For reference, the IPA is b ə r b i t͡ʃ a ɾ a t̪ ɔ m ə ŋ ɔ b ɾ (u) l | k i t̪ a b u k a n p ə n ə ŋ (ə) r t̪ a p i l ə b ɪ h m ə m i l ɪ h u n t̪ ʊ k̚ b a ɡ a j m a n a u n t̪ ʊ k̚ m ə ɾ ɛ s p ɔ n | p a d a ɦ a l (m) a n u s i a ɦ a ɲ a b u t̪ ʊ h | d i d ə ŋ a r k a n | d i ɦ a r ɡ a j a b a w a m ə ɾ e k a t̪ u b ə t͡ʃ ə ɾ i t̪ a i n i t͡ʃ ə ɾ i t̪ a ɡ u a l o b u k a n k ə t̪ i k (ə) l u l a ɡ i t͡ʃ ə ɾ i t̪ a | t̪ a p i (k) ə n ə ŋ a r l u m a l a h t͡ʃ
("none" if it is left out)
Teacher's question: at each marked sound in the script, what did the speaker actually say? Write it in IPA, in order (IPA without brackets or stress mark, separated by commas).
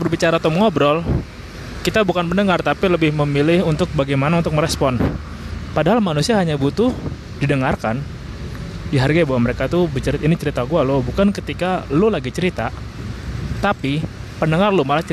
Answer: ɔ, a, m, a, p